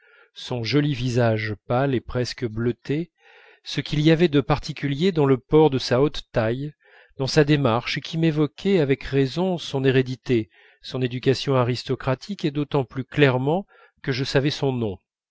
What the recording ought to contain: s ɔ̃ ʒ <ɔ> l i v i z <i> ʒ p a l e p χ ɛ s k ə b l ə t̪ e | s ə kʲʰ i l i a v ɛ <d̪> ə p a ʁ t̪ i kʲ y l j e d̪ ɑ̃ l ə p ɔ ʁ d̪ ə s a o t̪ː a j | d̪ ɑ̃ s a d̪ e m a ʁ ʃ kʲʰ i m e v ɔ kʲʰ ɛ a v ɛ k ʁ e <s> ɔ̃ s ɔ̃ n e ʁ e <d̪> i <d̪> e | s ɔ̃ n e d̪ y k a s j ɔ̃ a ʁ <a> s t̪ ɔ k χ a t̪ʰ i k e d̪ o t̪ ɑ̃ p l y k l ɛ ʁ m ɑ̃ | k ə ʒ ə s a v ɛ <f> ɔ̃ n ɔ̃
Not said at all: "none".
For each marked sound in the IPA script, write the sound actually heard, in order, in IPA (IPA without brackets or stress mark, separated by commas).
ɔ, a, d̪, z, d̪, t̪, i, s